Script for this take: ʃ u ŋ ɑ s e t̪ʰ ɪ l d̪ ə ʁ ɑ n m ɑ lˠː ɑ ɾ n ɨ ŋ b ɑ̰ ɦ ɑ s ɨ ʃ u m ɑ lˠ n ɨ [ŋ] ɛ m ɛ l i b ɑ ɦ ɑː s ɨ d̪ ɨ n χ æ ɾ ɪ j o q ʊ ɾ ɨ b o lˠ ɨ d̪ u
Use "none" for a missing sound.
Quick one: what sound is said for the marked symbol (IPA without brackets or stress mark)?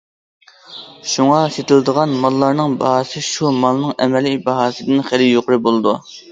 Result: ŋ